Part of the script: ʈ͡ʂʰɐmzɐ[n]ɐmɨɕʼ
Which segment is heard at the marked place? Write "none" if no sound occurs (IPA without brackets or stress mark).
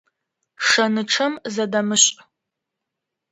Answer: d